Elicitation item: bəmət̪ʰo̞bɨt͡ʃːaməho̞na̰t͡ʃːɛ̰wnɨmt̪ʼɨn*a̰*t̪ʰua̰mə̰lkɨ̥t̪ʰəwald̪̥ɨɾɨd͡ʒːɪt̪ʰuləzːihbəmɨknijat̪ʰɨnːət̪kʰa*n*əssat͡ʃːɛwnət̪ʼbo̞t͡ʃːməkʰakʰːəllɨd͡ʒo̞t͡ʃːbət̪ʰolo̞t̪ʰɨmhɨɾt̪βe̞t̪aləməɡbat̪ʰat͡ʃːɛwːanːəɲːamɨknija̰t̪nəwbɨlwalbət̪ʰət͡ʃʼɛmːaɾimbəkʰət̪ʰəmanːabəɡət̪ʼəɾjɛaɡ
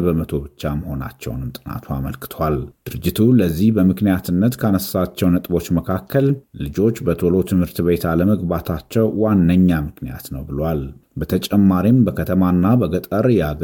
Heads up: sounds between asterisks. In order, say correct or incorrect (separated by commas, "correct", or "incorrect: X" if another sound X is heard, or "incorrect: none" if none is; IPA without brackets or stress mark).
correct, correct